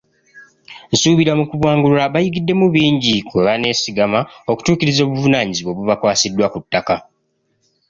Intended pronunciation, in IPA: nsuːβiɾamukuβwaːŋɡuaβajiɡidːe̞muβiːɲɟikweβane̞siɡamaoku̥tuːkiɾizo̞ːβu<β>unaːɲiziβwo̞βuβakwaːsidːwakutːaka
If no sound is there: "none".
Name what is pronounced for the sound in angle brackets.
v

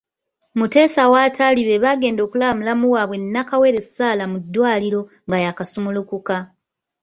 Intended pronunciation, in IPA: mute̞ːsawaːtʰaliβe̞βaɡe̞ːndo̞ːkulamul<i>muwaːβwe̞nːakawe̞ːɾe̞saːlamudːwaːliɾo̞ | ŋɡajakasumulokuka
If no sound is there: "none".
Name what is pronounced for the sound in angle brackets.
a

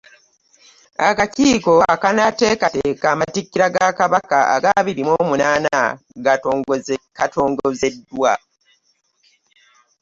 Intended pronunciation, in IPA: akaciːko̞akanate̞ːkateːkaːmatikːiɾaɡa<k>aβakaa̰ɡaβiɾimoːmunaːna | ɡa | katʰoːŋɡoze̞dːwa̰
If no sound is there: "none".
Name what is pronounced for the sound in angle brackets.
k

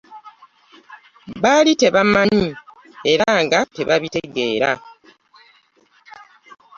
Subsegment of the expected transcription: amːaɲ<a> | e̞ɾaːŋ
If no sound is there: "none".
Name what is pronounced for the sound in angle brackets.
i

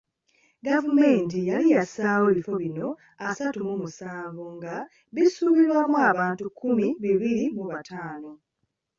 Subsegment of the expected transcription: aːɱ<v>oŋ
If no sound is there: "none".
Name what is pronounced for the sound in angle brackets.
v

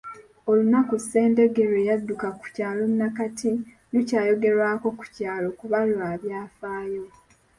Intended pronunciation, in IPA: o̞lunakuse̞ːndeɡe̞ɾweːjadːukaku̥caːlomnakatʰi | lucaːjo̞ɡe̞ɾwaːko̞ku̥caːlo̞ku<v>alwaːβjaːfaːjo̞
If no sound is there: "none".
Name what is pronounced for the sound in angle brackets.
β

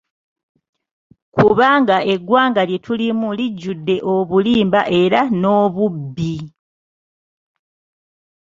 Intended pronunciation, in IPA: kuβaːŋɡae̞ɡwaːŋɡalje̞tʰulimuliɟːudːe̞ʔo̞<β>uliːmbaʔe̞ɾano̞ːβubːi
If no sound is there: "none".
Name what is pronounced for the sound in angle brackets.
β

